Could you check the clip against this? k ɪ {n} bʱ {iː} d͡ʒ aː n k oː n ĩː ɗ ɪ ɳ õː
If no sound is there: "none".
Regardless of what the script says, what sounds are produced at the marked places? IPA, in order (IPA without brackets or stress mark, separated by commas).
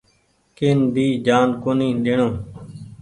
n, iː